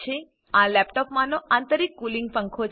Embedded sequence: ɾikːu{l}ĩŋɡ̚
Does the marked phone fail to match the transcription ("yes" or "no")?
no